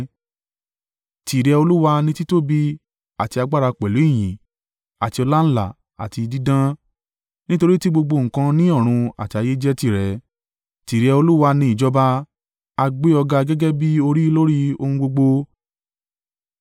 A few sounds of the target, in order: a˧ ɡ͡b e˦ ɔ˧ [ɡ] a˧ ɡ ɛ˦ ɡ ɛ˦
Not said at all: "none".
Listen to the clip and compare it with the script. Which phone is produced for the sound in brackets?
ɡ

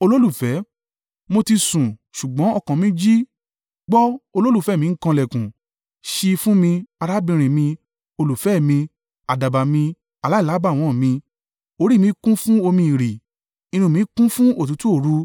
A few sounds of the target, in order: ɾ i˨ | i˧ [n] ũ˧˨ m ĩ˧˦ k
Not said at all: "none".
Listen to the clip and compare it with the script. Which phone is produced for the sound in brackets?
n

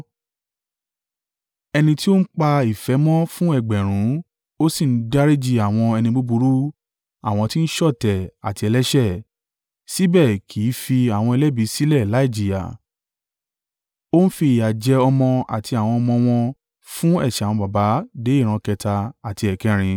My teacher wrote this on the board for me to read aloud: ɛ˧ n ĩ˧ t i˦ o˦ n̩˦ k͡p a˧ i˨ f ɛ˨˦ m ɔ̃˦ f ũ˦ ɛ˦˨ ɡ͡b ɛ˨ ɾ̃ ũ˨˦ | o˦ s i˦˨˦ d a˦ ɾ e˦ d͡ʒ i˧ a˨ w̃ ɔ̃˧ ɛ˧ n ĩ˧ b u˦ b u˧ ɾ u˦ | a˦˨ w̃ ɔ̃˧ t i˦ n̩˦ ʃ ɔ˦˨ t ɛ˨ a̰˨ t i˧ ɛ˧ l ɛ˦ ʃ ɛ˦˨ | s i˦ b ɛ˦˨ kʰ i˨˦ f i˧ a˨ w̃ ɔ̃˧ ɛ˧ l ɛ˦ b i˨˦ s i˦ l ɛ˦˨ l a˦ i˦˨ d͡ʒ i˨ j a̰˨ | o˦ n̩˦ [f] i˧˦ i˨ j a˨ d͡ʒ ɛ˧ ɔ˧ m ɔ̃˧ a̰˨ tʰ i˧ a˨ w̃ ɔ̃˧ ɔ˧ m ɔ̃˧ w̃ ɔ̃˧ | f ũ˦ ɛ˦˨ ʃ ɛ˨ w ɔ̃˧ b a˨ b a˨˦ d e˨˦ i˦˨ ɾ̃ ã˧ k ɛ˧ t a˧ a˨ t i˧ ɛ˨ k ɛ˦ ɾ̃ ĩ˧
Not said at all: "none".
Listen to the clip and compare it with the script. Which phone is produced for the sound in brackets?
f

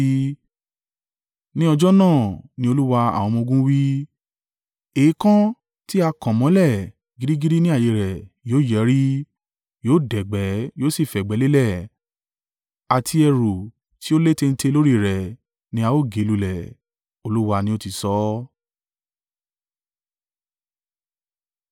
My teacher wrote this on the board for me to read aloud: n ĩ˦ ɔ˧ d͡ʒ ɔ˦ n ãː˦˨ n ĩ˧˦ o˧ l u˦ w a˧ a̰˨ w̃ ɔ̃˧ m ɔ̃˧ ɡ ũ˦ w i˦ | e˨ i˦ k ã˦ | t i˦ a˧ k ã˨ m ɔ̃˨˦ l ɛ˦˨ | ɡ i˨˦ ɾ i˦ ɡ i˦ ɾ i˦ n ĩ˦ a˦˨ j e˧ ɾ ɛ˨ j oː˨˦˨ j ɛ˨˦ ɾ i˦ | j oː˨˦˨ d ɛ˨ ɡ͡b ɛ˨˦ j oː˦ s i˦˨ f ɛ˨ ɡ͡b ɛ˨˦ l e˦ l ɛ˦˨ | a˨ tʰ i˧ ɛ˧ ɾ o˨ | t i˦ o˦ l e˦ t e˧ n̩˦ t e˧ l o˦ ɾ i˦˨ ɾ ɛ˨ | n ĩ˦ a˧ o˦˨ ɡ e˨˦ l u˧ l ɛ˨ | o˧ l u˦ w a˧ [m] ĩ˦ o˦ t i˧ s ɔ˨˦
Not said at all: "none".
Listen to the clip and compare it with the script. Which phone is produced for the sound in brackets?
n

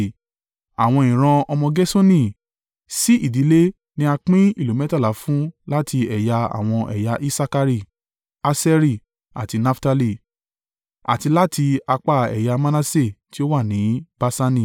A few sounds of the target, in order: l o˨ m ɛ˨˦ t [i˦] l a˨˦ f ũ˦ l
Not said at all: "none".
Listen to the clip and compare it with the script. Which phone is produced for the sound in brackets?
a˦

